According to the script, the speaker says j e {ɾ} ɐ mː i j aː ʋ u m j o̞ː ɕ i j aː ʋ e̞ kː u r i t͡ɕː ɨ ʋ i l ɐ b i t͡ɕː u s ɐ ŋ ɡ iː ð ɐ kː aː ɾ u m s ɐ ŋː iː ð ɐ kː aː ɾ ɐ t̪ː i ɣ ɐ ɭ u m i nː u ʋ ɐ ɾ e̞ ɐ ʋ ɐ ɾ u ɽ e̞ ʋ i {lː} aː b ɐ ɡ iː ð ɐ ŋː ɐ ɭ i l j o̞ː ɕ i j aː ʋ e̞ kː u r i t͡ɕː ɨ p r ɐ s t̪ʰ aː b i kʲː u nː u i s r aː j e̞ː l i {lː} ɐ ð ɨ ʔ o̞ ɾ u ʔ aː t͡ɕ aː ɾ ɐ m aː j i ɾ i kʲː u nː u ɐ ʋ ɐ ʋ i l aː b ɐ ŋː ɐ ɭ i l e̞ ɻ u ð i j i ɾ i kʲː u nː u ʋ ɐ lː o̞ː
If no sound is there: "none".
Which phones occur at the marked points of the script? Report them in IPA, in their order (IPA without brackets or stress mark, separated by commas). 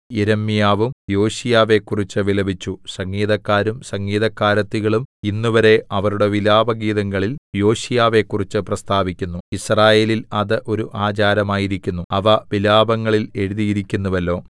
ɾ, l, l